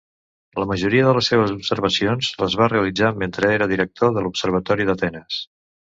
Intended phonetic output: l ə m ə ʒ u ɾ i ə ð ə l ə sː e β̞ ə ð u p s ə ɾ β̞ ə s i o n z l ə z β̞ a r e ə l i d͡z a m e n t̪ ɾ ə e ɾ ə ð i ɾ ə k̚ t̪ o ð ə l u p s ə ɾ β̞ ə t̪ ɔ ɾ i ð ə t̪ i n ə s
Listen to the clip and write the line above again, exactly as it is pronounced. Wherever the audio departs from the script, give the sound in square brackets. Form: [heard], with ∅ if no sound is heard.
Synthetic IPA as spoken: l ə m ə ʒ u ɾ i ə ð ə l ə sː e β̞ ə [z] u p s ə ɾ β̞ ə s i o n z l ə z β̞ a r e ə l i d͡z a m e n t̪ ɾ ə e ɾ ə ð i ɾ ə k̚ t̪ o ð ə l u p s ə ɾ β̞ ə t̪ ɔ ɾ i ð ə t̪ [ɛ] n ə s